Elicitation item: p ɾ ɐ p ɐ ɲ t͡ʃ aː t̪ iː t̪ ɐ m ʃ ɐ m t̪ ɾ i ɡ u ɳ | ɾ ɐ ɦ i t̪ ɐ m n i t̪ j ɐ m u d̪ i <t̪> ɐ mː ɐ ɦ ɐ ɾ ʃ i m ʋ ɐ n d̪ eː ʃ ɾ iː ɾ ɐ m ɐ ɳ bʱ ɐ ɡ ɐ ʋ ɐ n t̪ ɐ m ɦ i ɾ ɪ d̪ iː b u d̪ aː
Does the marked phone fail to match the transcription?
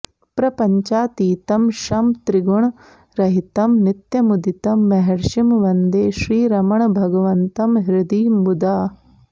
no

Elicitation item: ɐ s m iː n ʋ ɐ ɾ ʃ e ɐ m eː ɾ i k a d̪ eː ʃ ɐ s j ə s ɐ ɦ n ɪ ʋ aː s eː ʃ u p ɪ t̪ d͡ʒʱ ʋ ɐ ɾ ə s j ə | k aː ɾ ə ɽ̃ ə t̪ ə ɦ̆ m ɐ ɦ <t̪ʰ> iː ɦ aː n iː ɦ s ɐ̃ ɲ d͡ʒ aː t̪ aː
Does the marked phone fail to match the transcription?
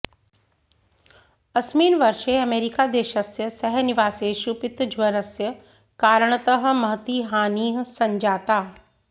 yes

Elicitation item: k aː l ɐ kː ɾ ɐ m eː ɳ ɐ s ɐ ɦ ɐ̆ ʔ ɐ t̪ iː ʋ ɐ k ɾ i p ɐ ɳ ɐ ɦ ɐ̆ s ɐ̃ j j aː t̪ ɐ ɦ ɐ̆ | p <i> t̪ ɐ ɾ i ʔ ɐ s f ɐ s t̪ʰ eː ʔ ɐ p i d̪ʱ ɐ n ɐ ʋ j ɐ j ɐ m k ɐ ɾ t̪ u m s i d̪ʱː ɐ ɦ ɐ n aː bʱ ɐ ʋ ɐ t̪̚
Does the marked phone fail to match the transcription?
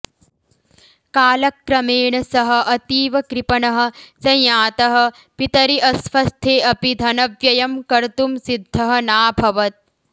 no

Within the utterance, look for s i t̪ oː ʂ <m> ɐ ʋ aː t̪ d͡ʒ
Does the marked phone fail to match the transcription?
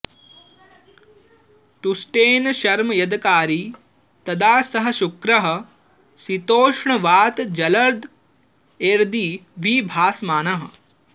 yes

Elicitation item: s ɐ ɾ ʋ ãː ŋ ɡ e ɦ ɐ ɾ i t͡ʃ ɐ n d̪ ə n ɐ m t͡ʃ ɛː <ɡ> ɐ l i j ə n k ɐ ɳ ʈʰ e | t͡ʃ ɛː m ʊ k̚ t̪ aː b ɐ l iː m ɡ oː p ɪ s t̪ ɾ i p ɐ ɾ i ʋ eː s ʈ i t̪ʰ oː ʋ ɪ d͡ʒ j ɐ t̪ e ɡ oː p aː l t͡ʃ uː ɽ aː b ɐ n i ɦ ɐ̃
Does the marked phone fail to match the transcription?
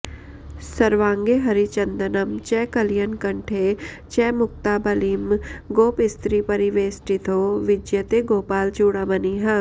yes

